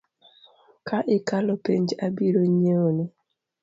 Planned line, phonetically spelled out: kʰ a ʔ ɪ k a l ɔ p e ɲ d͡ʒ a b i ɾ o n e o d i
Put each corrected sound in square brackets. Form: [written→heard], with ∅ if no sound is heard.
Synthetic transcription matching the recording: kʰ a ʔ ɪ k a l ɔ p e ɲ d͡ʒ a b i ɾ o [n→ɲ] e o [d→n] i